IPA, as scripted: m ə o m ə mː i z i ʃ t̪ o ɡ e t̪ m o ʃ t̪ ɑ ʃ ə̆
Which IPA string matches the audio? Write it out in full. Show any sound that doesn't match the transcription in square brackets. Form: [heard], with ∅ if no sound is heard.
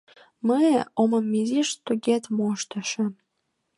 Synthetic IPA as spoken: m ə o m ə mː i z i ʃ t̪ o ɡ e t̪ m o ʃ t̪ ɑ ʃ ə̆